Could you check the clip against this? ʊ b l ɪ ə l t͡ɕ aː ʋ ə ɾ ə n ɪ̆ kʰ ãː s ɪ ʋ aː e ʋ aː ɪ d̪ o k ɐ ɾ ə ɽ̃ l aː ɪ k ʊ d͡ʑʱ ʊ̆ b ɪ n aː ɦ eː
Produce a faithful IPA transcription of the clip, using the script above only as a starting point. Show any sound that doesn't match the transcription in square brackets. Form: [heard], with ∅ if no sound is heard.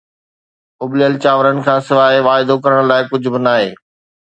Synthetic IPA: ʊ b l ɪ ə l t͡ɕ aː ʋ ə ɾ ə n ɪ̆ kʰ ãː s ɪ ʋ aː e ʋ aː ɪ d̪ o k ɐ ɾ ə ɽ̃ l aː ɪ k ʊ d͡ʑʱ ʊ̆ b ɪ n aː ɦ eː

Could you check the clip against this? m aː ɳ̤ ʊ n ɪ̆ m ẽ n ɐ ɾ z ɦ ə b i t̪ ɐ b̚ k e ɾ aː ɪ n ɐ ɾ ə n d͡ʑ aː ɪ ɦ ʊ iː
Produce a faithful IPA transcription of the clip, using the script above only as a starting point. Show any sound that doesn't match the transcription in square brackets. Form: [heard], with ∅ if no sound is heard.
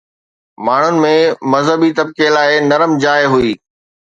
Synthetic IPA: m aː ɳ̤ ʊ n ɪ̆ m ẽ [m] ɐ [∅] z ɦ ə b i t̪ ɐ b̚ k e [l] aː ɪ n ɐ ɾ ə [m] d͡ʑ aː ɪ ɦ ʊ iː

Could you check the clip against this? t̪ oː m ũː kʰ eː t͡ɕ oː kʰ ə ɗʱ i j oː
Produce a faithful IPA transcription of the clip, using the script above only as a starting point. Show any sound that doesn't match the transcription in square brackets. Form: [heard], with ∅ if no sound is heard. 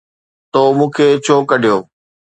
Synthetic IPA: t̪ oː m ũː kʰ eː [t͡ɕʰ] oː [k] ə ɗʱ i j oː

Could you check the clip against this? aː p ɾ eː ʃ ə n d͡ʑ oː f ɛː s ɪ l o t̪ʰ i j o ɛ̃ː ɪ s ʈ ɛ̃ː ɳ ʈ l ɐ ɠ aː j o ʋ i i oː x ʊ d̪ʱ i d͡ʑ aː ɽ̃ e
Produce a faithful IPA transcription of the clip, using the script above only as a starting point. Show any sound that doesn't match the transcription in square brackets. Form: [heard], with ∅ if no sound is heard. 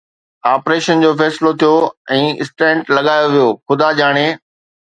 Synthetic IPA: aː p ɾ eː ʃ ə n d͡ʑ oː f ɛː s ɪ l o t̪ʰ i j o ɛ̃ː ɪ s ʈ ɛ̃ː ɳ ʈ l ɐ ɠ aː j o ʋ i [j] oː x ʊ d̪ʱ [a] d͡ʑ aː ɽ̃ e

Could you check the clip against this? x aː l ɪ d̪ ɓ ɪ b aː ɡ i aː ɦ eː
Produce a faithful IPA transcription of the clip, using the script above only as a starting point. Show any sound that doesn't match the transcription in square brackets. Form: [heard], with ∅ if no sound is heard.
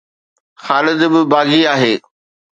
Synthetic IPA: x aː l ɪ d̪ [b] ɪ b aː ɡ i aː ɦ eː

